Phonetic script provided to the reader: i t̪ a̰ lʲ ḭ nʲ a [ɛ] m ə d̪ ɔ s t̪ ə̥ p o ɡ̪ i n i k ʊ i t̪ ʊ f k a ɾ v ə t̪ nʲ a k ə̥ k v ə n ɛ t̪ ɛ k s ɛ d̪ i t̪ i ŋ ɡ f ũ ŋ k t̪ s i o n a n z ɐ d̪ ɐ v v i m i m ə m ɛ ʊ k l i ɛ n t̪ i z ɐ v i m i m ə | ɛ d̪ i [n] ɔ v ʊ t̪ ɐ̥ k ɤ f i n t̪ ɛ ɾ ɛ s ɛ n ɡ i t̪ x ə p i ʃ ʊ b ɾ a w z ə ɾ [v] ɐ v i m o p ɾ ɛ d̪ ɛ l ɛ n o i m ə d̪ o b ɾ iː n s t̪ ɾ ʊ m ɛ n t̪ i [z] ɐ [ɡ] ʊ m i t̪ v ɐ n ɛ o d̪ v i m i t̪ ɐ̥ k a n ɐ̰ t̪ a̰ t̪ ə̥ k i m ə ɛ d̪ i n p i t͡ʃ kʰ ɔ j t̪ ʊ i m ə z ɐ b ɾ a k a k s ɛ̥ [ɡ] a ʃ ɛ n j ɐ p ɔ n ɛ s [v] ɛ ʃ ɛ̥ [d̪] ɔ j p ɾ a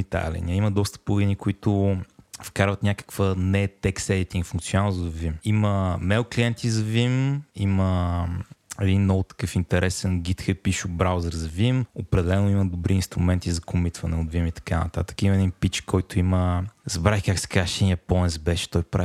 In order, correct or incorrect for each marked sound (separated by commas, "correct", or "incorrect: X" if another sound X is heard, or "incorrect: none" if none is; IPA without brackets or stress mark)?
incorrect: i, incorrect: nː, incorrect: z, correct, incorrect: k, incorrect: k, incorrect: b, incorrect: t̪